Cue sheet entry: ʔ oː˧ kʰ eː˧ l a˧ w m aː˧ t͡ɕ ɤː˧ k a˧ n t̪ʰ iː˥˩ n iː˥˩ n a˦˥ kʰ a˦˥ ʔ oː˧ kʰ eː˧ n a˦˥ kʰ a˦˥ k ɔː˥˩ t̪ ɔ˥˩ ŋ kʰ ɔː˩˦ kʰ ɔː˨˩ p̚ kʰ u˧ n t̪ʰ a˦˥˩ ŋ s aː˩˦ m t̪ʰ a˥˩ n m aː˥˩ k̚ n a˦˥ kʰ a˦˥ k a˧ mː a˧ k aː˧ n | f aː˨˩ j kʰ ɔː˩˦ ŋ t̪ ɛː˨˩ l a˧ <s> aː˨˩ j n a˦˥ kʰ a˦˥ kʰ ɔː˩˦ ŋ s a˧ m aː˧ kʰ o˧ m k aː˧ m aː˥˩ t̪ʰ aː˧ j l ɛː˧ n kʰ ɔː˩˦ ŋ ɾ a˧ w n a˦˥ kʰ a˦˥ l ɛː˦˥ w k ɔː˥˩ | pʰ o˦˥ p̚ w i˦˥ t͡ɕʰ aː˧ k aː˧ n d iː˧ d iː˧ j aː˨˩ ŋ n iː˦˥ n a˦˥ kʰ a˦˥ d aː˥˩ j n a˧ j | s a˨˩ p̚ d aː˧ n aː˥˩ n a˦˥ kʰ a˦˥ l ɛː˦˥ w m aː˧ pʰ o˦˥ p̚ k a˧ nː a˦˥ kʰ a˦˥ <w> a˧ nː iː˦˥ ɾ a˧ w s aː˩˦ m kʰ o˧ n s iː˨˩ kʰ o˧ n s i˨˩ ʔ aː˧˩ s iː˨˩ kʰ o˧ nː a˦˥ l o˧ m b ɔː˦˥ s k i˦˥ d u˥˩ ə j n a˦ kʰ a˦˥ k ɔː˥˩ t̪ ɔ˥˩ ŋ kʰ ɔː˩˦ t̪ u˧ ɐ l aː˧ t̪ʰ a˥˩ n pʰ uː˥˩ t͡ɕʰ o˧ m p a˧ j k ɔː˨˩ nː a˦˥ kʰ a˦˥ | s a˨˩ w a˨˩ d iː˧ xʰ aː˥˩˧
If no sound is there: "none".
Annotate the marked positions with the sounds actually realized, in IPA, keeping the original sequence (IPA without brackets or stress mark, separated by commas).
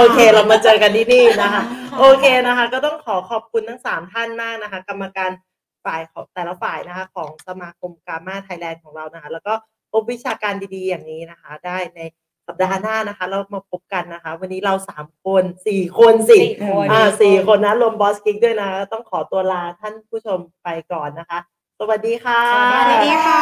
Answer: f, w